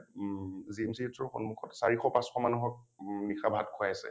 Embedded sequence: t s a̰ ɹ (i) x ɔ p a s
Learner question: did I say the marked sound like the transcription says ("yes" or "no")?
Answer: yes